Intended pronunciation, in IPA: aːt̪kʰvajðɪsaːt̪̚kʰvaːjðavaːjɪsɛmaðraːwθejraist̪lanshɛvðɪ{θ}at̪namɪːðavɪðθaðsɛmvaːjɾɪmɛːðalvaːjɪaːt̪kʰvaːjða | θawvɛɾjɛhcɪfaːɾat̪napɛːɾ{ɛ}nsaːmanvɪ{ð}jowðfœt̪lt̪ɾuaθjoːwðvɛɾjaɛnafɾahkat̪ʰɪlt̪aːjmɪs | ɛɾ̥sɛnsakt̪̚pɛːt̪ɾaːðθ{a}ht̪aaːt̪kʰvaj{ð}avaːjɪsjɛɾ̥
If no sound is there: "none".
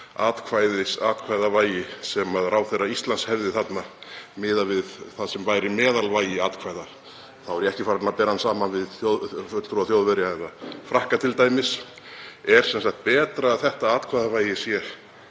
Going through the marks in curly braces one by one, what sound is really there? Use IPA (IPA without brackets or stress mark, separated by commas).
θ, a, ð, ɛ, ð